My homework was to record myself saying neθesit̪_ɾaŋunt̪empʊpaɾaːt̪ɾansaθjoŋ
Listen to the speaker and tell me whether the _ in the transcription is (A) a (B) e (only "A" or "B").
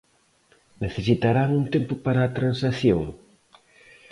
A